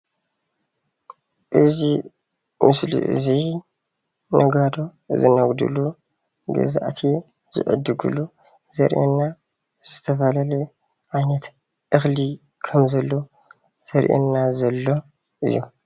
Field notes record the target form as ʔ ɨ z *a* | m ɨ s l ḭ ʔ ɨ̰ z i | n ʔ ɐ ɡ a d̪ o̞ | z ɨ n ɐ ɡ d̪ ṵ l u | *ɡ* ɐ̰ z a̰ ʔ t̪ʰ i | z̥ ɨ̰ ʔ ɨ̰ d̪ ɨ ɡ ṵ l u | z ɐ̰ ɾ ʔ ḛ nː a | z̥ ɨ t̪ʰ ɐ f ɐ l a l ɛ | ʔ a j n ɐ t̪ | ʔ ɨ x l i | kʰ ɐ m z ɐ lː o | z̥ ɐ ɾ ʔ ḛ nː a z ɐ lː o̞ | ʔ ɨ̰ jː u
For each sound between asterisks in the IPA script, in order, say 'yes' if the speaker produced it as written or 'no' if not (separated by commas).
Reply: no, yes